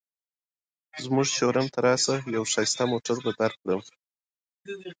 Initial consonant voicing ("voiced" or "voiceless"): voiced